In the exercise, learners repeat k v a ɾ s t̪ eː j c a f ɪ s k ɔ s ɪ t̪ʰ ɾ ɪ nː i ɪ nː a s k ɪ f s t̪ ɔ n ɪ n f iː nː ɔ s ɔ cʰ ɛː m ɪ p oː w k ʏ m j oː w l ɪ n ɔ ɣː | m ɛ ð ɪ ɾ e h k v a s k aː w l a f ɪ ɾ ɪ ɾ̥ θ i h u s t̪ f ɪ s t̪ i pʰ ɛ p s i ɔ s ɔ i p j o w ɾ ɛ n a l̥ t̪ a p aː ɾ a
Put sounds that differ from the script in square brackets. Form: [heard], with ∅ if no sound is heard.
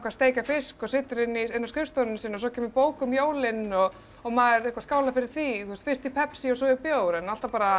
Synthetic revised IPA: k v a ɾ s t̪ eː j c a f ɪ s k ɔ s ɪ [t̪] ɾ ɪ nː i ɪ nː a s k ɪ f s t̪ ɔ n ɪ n [s] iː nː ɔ s ɔ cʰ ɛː m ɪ p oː w k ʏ m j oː w l ɪ n ɔ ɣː | m [a] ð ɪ ɾ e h k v a s k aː w l a f ɪ ɾ ɪ ɾ̥ θ i [θ] u s t̪ f ɪ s t̪ i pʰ ɛ p s i ɔ s ɔ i p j o w ɾ ɛ n a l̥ t̪ a p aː ɾ a